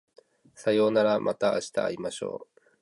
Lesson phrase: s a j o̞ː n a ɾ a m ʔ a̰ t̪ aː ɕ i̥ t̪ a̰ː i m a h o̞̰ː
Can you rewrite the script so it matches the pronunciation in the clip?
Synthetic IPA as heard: s a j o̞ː n a ɾ a m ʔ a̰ t̪ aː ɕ i̥ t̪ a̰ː i m a ɕ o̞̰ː